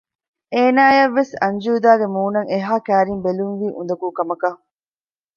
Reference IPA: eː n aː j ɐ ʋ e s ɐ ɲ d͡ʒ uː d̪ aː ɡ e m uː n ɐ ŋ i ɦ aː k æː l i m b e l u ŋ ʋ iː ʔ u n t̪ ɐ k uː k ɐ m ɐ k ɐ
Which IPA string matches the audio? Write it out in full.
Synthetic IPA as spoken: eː n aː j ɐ ʋː e s ɐ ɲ d͡ʒ uː d̪ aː ɡ e m uː n ɐ ŋ e ɦ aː k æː ɾ i m b e l u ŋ ʋ iː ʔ u n d̪ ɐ k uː k ɐ m ɐ k ɐ